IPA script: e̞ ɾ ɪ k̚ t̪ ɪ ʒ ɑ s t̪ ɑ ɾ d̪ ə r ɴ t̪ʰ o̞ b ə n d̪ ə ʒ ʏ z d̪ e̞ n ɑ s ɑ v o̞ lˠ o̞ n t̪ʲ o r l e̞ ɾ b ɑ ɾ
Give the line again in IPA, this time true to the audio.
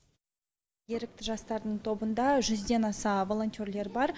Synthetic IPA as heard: e̞ ɾ ɪ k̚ t̪ ɪ ʒ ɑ s t̪ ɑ ɾ d̪ ə ɴ t̪ʰ o̞ b ə n d̪ ɑ ʒ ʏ z d̪ e̞ n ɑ s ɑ v o̞ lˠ o̞ n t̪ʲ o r l e̞ ɾ b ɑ ɾ